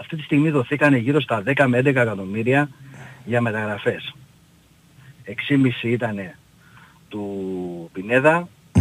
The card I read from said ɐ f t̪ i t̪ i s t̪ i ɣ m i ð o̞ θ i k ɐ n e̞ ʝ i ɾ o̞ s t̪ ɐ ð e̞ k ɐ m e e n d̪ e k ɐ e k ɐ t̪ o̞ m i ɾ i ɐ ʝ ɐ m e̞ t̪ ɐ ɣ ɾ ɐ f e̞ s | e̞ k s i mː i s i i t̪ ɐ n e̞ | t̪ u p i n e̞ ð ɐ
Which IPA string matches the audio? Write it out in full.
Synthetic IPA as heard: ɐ f t̪ i t̪ i s t̪ i ɣ m i ð o̞ θ i k ɐ n e̞ ʝ i ɾ o̞ s t̪ ɐ ð e̞ k ɐ m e e n d̪ e k ɐ e k ɐ t̪ o̞ m i ɾ i ɐ ʝ ɐ m e̞ t̪ ɐ ɣ ɾ ɐ f e̞ s | e̞ k s i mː i s i i t̪ ɐ n e̞ | t̪ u p i n e̞ ð ɐ